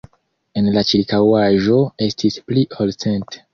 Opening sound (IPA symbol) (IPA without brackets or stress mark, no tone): e̞